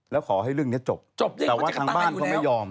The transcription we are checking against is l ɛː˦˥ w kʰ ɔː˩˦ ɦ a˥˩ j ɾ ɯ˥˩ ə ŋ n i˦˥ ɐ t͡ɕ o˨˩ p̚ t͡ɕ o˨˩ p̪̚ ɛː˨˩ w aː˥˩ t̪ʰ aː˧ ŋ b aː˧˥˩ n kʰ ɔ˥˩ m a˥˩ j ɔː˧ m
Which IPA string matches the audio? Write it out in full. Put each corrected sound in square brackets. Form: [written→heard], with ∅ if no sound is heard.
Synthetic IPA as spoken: l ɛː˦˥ w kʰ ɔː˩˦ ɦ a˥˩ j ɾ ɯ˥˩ ə ŋ n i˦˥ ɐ t͡ɕ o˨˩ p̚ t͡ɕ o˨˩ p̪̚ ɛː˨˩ w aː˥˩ t̪ʰ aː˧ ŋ b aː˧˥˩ n [kʰ→k] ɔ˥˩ m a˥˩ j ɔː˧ m